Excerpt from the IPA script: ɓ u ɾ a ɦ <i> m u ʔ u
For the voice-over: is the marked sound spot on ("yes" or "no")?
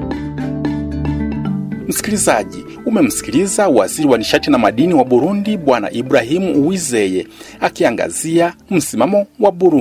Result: yes